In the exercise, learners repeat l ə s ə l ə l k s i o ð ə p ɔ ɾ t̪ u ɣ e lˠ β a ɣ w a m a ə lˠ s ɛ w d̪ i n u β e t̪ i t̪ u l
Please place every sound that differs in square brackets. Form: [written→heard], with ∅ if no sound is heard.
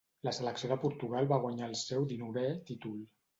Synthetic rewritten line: l ə s ə l ə [l→∅] k s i o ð ə p [ɔ→u] ɾ t̪ u ɣ [e→a] lˠ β a ɣ w a [m→ɲ] a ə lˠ s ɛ w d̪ i n u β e t̪ i t̪ u l